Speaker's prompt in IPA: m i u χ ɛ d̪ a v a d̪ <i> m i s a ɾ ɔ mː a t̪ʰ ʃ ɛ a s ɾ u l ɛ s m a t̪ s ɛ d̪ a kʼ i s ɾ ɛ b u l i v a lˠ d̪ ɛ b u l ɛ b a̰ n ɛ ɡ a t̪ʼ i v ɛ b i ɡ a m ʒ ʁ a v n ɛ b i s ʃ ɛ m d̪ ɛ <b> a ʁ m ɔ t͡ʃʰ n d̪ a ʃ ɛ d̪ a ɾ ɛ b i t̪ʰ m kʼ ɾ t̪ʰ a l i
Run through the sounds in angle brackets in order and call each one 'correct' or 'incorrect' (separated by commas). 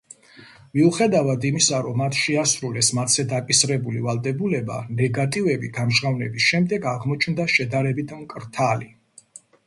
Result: correct, incorrect